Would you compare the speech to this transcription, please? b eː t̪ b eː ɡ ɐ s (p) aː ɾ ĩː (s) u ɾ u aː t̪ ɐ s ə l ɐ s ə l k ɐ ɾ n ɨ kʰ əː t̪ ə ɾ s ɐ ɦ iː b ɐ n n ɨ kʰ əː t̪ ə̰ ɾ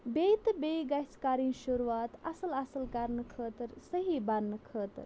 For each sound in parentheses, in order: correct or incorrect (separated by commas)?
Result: incorrect, incorrect